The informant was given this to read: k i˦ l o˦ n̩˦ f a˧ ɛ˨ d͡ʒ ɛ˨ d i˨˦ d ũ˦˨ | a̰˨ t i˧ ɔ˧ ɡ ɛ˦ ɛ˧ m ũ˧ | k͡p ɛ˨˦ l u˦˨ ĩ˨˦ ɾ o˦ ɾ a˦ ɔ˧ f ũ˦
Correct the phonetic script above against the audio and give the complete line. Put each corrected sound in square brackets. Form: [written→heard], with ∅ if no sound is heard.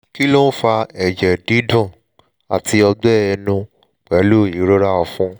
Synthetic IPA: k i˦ l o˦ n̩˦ f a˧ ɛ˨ d͡ʒ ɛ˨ d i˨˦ d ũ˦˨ | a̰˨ t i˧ ɔ˧ [ɡ→ɡ͡b] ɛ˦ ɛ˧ [m→n] ũ˧ | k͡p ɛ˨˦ l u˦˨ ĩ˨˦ ɾ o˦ ɾ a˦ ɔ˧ f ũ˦